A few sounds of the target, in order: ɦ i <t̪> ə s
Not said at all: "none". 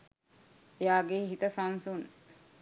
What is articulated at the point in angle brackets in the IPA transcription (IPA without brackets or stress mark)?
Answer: t̪